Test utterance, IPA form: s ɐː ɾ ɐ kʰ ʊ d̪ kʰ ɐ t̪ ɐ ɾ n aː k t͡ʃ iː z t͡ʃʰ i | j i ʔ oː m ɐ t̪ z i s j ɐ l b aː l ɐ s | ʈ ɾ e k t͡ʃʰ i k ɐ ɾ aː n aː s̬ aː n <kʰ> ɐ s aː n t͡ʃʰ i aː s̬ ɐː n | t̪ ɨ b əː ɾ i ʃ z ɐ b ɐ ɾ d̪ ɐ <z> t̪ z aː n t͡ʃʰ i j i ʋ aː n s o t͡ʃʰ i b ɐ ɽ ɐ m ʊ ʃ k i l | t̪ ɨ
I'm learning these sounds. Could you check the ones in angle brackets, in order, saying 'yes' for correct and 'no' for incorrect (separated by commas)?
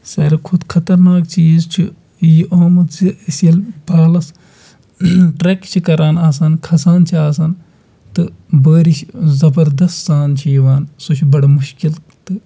yes, no